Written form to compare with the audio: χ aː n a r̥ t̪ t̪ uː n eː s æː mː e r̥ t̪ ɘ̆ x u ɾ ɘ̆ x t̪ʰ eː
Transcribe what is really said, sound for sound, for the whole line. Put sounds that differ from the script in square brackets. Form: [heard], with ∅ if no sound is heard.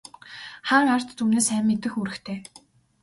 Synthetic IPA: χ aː [ŋ] a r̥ t̪ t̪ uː n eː s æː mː e [∅] t̪ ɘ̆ x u ɾ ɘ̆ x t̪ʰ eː